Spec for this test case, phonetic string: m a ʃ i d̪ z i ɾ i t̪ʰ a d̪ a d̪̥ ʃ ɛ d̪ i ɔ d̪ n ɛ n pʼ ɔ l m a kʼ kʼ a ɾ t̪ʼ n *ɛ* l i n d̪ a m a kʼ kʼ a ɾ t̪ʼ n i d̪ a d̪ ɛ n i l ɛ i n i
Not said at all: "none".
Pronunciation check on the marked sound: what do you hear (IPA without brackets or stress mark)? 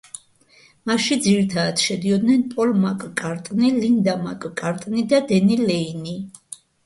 i